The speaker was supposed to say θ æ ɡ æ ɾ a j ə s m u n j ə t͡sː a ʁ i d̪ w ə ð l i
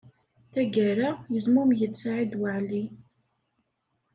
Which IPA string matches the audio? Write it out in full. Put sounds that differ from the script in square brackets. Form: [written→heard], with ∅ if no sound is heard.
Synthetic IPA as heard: θ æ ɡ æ ɾ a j ə [s→z] m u [n→m] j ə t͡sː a [ʁ→ʕ] i d̪ w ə [ð→ʕ] l i